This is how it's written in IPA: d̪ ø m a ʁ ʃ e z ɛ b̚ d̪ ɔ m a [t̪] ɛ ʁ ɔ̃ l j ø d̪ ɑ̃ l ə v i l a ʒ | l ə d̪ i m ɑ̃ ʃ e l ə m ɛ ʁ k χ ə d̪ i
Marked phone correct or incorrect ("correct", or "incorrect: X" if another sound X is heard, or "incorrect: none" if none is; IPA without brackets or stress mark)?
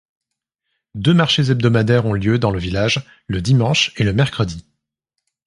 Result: incorrect: d̪